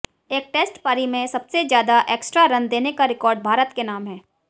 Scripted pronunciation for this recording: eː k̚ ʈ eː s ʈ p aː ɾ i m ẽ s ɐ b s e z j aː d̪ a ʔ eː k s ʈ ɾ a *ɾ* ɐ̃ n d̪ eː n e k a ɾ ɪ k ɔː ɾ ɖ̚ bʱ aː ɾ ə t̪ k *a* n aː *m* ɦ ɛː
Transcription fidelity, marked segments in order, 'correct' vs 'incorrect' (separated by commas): correct, incorrect, correct